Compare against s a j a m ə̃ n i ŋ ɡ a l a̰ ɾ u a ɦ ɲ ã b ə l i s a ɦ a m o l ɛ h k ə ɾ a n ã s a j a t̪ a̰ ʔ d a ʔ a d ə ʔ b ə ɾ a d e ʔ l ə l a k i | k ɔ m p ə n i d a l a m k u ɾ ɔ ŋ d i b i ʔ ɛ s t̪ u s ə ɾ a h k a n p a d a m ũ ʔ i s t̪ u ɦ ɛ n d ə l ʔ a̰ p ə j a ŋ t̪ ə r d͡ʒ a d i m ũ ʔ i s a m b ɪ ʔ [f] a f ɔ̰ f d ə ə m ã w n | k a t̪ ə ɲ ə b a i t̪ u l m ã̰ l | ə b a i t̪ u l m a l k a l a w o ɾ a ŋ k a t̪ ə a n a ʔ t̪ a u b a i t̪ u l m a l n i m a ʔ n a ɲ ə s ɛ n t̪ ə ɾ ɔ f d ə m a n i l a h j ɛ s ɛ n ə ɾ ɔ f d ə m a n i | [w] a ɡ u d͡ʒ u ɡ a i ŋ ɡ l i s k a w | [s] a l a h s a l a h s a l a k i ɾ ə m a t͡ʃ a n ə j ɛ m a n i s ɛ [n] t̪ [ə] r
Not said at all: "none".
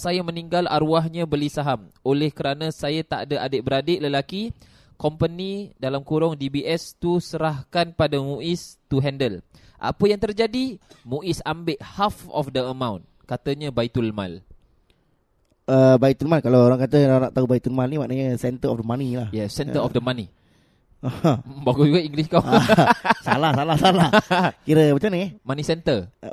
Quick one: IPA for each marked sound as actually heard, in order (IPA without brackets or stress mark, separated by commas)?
h, b, s, n, ə